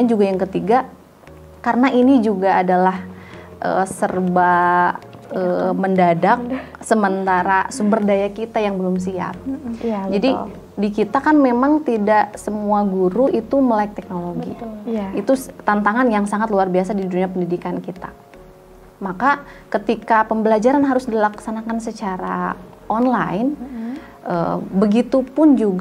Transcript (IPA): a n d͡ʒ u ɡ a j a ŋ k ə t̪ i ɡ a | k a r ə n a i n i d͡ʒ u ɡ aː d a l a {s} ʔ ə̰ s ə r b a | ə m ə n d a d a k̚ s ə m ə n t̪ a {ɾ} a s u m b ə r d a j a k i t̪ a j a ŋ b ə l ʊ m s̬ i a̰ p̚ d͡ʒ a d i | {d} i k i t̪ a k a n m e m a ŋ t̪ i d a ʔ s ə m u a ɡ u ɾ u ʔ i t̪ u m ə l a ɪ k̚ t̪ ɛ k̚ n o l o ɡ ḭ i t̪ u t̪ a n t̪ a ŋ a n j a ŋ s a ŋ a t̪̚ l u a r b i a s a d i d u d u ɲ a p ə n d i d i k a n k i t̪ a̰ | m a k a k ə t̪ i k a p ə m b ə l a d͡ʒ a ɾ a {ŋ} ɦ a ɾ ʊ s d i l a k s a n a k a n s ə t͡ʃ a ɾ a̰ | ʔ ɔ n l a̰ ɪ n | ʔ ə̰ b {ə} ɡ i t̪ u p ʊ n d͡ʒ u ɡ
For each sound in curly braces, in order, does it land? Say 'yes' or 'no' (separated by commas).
no, yes, yes, no, yes